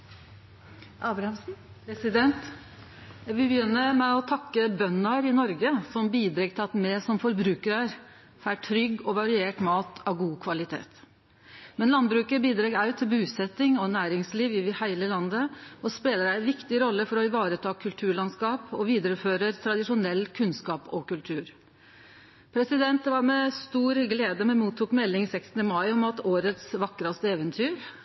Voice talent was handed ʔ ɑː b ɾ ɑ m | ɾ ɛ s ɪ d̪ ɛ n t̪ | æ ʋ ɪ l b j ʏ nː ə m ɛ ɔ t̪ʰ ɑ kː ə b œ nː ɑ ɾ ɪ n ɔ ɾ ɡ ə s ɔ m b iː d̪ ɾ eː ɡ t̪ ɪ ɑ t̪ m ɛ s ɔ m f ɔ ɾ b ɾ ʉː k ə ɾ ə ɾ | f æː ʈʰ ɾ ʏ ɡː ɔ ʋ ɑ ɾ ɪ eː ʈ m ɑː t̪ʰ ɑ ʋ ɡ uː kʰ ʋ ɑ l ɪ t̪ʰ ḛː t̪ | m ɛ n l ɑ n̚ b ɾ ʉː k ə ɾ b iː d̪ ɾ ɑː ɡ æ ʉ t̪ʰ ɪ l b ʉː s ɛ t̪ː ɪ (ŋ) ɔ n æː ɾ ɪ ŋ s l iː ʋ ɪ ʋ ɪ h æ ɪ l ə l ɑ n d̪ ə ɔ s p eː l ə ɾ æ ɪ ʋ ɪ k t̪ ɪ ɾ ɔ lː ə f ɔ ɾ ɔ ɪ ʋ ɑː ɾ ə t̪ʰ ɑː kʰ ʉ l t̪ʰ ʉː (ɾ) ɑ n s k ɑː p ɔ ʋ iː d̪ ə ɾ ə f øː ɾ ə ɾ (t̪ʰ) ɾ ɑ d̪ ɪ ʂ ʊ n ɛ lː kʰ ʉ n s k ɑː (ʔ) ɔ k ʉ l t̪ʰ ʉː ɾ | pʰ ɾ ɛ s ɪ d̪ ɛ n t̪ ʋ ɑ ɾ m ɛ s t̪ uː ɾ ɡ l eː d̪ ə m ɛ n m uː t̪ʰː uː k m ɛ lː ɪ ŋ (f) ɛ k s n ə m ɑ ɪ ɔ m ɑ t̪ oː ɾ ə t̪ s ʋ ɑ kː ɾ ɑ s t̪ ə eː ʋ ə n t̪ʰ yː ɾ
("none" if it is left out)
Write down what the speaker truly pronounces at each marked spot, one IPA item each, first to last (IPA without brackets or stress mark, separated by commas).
ŋ, ɭ, t̪ʰ, p, s